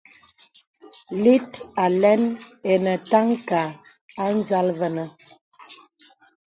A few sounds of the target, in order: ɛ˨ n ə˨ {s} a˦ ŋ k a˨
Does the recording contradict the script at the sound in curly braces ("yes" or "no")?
yes